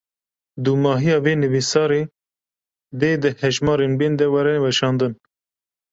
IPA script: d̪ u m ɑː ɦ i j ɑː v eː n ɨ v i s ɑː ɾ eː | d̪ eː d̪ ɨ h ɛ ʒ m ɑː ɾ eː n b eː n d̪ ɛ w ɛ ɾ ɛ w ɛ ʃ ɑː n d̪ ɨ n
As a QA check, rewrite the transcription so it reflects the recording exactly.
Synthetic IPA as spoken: d̪ u m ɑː ɦ i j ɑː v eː n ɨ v i s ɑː ɾ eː | d̪ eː d̪ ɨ h ɛ ʒ m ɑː ɾ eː n b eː n d̪ ɛ w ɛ ɾ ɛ w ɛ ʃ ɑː n d̪ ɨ n